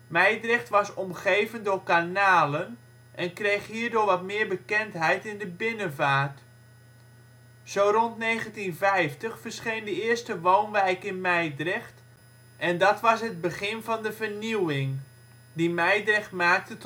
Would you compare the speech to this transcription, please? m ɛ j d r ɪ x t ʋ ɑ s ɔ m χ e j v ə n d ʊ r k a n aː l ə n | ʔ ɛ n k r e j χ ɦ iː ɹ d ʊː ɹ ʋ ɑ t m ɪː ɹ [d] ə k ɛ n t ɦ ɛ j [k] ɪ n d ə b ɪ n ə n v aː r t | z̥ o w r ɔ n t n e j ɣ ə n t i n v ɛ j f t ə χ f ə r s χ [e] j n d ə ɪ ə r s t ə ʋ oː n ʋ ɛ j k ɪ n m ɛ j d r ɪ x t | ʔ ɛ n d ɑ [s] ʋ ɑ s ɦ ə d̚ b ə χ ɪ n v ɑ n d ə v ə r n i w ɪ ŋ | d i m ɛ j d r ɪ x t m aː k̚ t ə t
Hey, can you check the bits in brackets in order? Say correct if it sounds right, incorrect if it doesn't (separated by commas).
incorrect, incorrect, correct, incorrect